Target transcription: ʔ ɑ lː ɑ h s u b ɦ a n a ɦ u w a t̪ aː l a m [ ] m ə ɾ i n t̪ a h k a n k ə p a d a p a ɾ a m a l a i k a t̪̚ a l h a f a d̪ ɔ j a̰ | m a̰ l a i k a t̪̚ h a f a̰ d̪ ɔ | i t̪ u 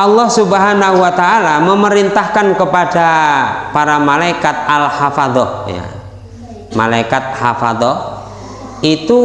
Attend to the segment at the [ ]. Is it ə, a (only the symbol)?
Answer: ə